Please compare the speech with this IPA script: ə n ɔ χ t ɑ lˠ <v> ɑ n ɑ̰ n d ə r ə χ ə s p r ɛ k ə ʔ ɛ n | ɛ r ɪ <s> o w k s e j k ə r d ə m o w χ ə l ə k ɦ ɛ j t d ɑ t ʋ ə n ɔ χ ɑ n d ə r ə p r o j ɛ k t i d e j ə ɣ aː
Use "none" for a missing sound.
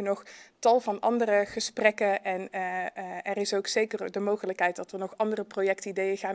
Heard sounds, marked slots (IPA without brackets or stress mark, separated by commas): v, s